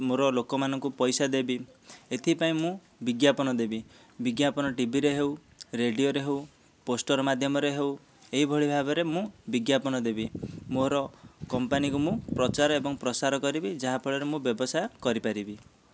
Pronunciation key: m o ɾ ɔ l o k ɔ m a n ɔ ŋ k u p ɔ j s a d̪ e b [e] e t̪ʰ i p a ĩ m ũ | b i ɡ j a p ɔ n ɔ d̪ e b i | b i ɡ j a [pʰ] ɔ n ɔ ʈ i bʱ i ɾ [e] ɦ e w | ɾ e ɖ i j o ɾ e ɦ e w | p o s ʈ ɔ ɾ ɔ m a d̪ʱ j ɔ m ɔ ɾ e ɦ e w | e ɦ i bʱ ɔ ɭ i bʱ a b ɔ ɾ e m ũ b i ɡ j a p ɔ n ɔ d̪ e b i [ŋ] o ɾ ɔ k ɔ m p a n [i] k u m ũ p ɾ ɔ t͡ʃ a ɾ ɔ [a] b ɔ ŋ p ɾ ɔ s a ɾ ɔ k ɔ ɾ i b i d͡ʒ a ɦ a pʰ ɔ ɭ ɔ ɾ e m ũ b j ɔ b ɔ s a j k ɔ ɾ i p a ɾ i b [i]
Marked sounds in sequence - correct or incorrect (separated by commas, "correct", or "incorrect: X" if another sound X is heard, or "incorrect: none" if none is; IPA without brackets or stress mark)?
incorrect: i, incorrect: p, correct, incorrect: m, correct, incorrect: e, correct